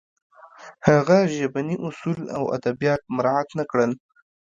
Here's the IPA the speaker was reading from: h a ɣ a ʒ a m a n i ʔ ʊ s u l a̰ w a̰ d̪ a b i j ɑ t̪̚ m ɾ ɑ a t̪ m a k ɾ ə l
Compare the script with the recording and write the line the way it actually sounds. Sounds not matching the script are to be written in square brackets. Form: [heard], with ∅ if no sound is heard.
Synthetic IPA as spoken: h a ɣ a ʒ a [b] a n i ʔ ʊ s u l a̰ w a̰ d̪ a b i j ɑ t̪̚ m ɾ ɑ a t̪ [n] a k [ɽ] ə l